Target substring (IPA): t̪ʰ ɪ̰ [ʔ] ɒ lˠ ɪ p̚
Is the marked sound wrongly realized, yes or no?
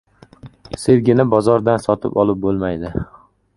yes